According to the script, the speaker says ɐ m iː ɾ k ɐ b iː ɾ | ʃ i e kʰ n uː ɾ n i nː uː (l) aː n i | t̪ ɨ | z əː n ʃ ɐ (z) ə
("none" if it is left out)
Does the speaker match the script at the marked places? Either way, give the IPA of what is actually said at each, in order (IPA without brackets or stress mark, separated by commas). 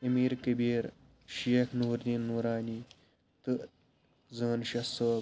ɾ, s